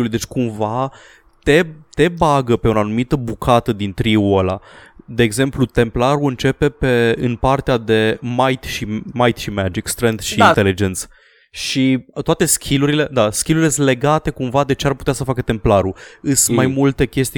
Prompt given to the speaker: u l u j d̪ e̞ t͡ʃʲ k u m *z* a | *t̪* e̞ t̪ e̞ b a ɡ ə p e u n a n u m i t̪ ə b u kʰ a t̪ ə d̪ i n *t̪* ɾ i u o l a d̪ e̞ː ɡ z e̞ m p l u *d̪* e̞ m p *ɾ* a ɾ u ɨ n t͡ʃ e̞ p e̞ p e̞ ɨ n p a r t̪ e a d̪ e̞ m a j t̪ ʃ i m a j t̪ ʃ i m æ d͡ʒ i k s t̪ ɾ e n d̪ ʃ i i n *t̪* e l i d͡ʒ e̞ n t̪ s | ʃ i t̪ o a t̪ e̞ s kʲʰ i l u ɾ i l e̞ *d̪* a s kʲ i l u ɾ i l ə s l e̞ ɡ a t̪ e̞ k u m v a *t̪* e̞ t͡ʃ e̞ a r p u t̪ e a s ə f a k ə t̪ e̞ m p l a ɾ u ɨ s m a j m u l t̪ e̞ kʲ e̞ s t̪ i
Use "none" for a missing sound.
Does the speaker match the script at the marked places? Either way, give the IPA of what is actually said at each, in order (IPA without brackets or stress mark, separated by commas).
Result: v, t̪, t̪, t̪, l, t̪, d̪, d̪